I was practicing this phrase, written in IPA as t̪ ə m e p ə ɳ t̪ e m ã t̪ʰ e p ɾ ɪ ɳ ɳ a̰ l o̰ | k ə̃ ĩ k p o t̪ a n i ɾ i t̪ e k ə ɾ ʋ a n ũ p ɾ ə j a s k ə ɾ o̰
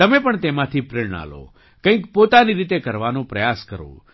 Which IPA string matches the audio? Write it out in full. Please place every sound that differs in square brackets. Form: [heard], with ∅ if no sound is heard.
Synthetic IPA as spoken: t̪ ə m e p ə ɳ t̪ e m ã t̪ʰ [i] p ɾ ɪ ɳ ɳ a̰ l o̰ | k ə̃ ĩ k p o t̪ a n i ɾ i t̪ e k ə ɾ ʋ a n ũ p ɾ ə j a s k ə ɾ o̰